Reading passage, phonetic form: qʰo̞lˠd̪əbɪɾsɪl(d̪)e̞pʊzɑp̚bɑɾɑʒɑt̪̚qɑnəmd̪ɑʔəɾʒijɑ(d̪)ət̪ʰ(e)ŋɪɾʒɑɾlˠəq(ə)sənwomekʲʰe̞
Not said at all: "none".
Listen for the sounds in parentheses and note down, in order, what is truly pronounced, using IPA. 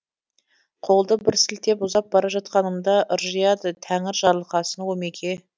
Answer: t̪, d̪, æ, ɑ

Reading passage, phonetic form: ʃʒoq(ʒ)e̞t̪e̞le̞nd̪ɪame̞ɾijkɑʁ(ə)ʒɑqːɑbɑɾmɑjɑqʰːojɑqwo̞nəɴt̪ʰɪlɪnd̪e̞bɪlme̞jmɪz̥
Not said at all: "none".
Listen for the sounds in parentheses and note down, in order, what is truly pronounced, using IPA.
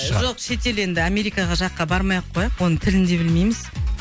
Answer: ʃ, ɑ

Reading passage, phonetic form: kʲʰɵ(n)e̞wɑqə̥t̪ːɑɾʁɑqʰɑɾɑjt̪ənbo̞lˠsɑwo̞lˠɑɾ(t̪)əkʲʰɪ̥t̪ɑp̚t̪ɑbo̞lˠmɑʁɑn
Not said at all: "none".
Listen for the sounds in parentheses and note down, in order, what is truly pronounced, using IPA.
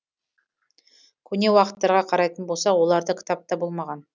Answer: n, d̪

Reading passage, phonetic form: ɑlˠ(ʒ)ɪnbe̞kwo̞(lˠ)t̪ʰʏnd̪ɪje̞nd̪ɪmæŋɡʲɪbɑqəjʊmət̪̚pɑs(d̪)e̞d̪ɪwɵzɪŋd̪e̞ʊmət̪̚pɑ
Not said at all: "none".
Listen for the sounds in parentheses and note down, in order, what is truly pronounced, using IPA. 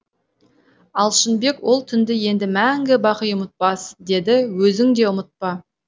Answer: ʃ, lˠ, d̪

